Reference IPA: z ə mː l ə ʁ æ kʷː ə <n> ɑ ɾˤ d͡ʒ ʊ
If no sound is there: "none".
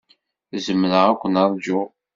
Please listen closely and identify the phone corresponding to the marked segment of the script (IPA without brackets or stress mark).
n